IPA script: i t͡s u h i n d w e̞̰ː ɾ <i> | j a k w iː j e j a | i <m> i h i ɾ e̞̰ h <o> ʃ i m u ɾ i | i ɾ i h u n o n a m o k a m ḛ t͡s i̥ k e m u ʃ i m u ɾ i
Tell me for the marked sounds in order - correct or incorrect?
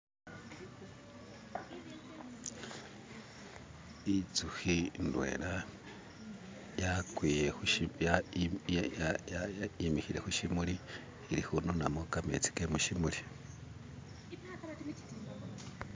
incorrect: a, correct, incorrect: u

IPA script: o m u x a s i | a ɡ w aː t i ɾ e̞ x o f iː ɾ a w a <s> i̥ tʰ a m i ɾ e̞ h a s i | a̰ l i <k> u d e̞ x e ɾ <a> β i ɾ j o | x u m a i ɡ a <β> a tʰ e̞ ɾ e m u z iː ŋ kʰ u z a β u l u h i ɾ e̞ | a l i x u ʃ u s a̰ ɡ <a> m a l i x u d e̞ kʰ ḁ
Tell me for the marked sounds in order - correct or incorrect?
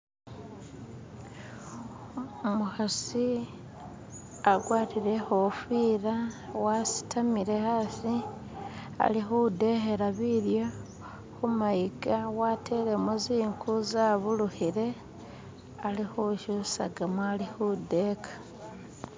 correct, incorrect: x, correct, incorrect: w, correct

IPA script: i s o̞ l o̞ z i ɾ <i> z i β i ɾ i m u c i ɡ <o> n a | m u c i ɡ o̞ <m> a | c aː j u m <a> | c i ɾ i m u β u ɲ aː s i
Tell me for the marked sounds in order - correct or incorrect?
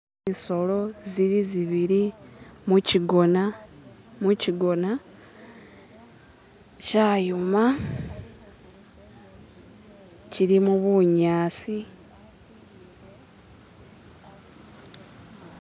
correct, correct, incorrect: n, correct

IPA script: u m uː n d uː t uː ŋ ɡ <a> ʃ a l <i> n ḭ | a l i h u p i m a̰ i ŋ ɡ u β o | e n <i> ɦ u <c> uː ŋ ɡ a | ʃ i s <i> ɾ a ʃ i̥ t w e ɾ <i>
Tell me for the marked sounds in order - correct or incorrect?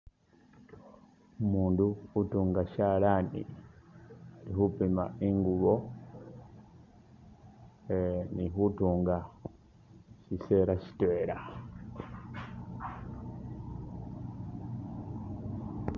correct, incorrect: a, correct, incorrect: t, incorrect: e, incorrect: a

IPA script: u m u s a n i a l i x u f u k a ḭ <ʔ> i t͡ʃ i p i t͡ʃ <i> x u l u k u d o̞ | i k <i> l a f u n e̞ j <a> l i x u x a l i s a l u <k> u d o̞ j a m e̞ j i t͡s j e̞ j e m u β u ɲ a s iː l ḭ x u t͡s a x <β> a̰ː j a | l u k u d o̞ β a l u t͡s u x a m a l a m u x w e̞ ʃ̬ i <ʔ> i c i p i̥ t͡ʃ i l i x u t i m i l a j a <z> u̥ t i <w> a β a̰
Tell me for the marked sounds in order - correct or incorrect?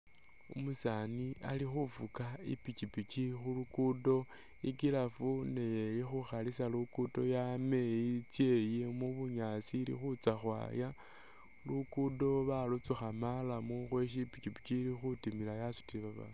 incorrect: p, correct, correct, incorrect: e, correct, incorrect: w, incorrect: p, incorrect: s, incorrect: β

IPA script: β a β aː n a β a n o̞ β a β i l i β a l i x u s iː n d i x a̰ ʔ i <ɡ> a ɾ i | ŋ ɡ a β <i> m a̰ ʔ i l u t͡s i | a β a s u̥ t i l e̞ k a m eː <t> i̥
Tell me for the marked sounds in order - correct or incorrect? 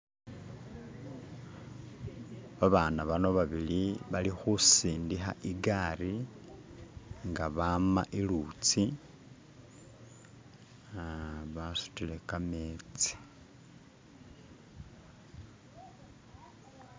correct, incorrect: a, incorrect: t͡s

